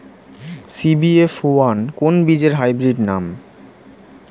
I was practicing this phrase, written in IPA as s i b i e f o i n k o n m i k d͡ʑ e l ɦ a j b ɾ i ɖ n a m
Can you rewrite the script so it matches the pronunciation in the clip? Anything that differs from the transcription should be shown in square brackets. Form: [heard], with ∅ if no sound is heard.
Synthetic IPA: s i b i e f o [a] n k o n [b] i [∅] d͡ʑ e [ɾ] ɦ a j b ɾ i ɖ n a m

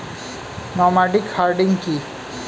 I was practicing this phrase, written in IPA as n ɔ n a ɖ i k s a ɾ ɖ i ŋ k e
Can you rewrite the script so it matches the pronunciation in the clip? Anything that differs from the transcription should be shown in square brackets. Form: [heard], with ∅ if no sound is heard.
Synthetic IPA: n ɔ [m] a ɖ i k [h] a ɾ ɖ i ŋ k [i]

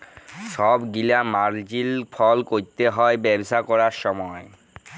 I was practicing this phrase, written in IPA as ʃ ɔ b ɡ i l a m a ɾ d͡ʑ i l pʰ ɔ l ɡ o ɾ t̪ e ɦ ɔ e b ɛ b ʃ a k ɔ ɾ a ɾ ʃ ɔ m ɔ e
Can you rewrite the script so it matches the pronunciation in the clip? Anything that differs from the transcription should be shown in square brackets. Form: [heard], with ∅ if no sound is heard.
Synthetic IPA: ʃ ɔ b ɡ i l a m a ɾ d͡ʑ i l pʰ ɔ l [k] o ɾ t̪ e ɦ ɔ e b ɛ b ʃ a k ɔ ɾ a ɾ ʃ ɔ m ɔ e

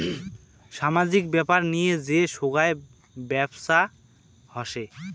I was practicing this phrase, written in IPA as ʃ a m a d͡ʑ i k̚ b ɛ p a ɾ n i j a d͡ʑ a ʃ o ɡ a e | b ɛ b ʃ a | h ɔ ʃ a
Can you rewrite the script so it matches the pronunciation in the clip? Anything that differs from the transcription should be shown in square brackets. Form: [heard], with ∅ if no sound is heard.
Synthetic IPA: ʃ a m a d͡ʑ i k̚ b ɛ p a ɾ n i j [e] d͡ʑ [e] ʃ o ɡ a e | b ɛ b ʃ a | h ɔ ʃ [e]

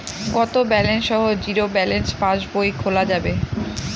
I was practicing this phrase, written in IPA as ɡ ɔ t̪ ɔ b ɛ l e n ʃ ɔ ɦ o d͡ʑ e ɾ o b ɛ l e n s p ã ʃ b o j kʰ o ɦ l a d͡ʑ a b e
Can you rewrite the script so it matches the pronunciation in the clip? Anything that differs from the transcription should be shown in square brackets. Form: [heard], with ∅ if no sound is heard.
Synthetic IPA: ɡ ɔ t̪ [o] b ɛ l e n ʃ ɔ ɦ o d͡ʑ [i] ɾ o b ɛ l e n s p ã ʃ b o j kʰ o [∅] l a d͡ʑ a b e

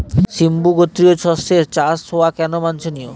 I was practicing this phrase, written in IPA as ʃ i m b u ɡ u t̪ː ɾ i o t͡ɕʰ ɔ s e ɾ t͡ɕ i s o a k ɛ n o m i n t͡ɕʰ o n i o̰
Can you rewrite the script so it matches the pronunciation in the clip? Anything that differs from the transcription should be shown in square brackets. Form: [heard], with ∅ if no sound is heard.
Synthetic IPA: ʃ i m b u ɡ [o] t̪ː ɾ i o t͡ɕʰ ɔ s e ɾ t͡ɕ [a] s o a k ɛ n o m [a] n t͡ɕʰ o n i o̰

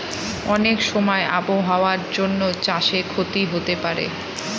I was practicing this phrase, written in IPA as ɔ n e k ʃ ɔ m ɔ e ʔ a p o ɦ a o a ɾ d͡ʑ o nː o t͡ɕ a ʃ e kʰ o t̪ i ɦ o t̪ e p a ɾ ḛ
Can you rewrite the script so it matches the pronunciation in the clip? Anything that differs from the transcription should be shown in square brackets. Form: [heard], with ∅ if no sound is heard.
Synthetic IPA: ɔ n e k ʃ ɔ m ɔ e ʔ a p o ɦ a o a ɾ d͡ʑ o nː o t͡ɕ a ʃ e kʰ o t̪ i ɦ o t̪ e p a ɾ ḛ

